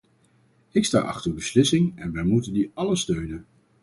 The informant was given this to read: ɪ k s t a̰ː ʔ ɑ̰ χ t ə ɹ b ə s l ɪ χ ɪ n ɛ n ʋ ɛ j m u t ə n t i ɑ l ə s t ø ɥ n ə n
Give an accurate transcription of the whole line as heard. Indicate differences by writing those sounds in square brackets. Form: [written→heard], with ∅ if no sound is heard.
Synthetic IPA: ɪ k s t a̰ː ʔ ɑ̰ χ t ə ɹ b ə s l ɪ [χ→s] ɪ [n→ŋ] ɛ n ʋ ɛ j m u t ə n [t→d] i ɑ l ə s t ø ɥ n ə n